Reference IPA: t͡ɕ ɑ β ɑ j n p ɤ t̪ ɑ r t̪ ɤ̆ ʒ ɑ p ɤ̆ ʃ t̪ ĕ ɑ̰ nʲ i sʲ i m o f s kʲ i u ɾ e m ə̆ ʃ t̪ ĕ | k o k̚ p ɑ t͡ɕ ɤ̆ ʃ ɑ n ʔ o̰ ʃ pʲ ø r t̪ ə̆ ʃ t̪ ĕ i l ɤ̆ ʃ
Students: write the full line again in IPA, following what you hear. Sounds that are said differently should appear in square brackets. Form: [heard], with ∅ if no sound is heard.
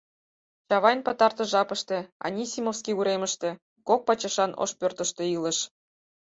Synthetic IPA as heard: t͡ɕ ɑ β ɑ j n p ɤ t̪ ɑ r t̪ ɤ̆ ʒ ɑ p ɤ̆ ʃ t̪ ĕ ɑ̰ nʲ i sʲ i m o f s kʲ i u ɾ e m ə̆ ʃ t̪ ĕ | k o k̚ p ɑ t͡ɕ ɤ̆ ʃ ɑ n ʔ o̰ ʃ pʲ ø r t̪ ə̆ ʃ t̪ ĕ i l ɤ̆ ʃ